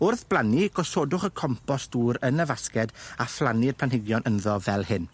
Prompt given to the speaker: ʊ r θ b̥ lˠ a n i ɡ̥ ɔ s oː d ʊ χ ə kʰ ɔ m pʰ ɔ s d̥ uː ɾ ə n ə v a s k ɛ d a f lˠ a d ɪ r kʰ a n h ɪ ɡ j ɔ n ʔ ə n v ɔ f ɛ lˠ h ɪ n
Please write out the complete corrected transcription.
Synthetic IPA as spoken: ʊ r θ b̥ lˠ a n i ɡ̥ ɔ s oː d ʊ χ ə kʰ ɔ m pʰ ɔ s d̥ uː ɾ ə n ə v a s k ɛ d a f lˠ a n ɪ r pʰ a n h ɪ ɡ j ɔ n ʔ ə n ð ɔ v ɛ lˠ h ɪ n